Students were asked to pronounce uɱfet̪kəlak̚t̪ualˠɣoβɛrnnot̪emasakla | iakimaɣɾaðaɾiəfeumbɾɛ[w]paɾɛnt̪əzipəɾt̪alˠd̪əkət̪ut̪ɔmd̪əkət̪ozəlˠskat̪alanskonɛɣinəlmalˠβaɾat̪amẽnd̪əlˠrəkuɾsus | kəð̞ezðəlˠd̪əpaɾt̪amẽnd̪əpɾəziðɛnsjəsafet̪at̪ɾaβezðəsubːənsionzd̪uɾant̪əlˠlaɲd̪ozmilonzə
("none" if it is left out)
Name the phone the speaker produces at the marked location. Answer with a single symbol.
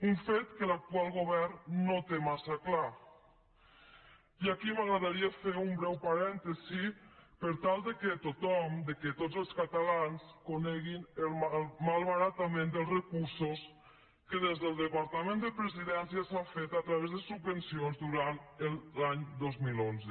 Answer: w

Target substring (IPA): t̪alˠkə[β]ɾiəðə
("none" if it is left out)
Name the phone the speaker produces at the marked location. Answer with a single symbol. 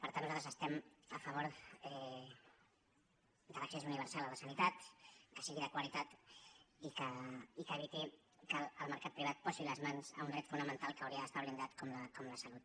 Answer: w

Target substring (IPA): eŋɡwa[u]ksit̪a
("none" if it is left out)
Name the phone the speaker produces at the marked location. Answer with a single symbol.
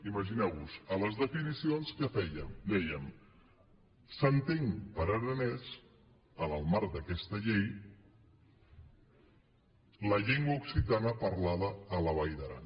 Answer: u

